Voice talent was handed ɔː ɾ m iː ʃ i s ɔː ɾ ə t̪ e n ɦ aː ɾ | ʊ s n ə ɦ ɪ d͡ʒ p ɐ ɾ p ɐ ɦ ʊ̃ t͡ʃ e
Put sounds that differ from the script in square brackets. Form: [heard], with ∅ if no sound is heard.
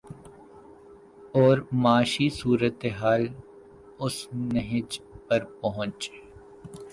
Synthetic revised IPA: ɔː ɾ m [aː] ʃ i s [uː] ɾ ə t̪ e [∅] ɦ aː [l] | ʊ s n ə ɦ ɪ d͡ʒ p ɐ ɾ p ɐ ɦ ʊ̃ t͡ʃ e